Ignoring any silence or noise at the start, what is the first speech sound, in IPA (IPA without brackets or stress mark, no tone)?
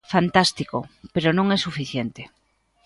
f